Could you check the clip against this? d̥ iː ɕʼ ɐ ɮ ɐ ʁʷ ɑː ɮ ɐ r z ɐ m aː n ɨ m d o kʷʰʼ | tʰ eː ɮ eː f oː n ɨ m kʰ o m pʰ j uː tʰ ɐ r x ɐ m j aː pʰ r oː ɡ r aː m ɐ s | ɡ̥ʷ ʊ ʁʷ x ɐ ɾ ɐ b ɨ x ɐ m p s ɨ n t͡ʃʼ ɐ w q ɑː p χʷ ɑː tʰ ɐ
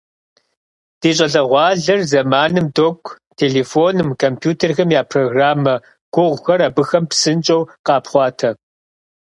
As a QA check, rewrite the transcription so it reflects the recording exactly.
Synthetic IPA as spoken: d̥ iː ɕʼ ɐ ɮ ɐ ʁʷ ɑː ɮ ɐ r z ɐ m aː n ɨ m d o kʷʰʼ | tʰ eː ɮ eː f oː n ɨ m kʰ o m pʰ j uː tʰ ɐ r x ɐ m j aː pʰ r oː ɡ r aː m ɐ | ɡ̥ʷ ʊ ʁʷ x ɐ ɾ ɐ b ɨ x ɐ m p s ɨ n t͡ʃʼ ɐ w q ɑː p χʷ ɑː tʰ ɐ